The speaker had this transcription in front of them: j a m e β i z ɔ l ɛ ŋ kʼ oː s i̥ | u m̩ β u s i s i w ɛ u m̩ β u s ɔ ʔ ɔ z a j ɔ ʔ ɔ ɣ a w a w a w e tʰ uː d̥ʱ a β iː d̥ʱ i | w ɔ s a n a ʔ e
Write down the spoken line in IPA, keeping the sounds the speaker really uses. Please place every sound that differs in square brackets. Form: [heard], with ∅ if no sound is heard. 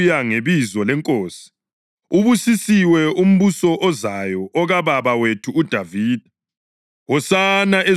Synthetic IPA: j a [ŋ] e β i z ɔ l ɛ ŋ kʼ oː s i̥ | u [∅] β u s i s i w ɛ u m̩ β u s ɔ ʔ ɔ z a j ɔ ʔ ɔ ɣ a [β] a [β] a w e tʰ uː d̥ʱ a [v] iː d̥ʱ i | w ɔ s a n a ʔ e